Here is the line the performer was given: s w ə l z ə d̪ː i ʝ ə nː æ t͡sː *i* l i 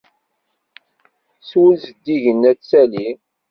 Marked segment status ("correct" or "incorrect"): incorrect